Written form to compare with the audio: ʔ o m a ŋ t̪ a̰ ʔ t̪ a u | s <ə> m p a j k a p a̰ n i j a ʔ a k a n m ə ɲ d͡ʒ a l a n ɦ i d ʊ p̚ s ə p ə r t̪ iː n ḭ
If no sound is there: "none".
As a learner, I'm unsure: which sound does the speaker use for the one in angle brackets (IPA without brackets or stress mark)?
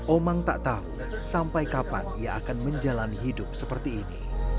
a